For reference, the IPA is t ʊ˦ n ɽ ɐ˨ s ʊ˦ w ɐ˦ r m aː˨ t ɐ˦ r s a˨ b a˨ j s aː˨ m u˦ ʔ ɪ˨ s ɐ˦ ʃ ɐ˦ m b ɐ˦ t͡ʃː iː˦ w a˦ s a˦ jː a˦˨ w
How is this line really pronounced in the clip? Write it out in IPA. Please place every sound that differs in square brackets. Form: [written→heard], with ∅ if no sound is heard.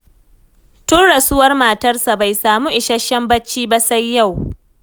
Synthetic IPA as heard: t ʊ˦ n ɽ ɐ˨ s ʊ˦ w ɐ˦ r m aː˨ t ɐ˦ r s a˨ b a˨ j s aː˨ m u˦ ʔ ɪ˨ [s→ʃ] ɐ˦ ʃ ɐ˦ m b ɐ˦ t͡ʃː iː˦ [w→b] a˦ s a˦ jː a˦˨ w